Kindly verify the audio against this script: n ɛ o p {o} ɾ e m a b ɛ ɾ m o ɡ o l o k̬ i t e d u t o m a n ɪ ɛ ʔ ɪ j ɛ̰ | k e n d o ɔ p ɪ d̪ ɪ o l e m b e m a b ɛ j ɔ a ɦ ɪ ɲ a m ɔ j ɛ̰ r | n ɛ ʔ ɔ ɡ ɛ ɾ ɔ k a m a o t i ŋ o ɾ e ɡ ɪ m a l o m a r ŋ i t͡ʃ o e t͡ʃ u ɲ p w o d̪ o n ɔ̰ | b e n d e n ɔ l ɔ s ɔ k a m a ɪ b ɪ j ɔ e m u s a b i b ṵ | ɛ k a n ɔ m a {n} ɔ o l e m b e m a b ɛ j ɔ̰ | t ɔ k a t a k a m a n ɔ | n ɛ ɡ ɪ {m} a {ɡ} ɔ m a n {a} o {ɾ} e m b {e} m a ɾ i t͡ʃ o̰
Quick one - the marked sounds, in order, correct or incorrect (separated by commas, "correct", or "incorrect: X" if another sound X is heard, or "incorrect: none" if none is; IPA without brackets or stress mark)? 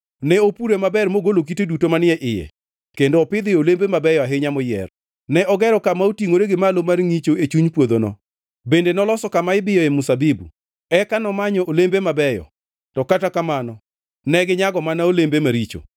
incorrect: u, incorrect: ɲ, incorrect: ɲ, correct, correct, incorrect: l, correct